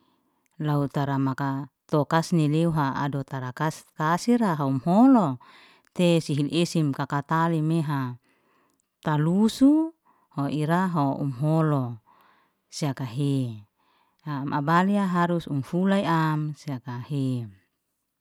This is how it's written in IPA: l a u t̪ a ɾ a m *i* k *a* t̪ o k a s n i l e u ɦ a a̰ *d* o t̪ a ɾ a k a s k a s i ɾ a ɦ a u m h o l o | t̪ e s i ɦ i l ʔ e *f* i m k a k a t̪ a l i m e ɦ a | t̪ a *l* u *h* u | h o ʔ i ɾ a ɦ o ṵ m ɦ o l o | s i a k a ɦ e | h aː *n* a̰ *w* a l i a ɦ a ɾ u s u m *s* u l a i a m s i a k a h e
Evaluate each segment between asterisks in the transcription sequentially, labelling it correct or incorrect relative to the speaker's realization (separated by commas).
incorrect, correct, correct, incorrect, correct, incorrect, incorrect, incorrect, incorrect